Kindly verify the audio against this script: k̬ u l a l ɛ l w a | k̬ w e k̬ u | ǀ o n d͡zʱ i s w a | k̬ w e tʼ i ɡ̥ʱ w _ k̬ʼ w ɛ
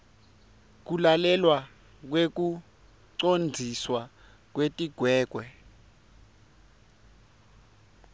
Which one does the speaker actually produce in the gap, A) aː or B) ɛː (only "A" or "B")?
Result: B